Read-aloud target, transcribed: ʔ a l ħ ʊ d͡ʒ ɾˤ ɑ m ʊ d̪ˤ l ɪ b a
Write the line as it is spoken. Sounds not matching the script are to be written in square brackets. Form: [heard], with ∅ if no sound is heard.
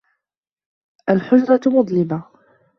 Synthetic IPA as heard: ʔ a l ħ ʊ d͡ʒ ɾˤ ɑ m ʊ d̪ˤ l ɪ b a